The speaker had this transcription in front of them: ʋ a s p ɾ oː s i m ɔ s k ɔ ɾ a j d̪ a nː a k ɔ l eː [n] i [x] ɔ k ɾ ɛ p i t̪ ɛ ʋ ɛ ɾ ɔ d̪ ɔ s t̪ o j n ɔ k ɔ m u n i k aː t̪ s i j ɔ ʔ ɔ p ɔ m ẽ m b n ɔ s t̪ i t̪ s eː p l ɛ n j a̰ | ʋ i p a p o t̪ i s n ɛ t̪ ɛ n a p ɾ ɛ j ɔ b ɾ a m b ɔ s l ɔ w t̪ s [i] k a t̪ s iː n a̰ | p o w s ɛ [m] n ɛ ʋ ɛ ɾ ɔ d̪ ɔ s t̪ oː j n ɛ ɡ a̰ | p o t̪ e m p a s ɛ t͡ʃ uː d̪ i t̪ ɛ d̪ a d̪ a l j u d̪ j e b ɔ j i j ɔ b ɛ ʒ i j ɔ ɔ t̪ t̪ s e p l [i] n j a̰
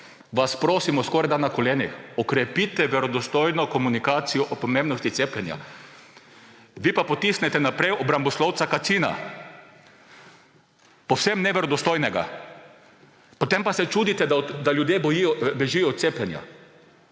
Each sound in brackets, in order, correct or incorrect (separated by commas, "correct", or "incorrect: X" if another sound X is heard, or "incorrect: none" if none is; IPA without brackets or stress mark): correct, correct, incorrect: a, correct, incorrect: ɛ